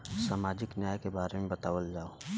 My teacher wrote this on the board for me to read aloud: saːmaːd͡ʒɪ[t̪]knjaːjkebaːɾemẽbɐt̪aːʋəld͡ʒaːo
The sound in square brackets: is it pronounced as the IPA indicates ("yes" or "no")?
no